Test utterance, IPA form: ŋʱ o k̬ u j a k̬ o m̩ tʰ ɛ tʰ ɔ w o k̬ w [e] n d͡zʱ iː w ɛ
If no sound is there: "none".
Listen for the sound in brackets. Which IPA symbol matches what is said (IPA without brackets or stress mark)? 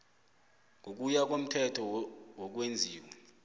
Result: e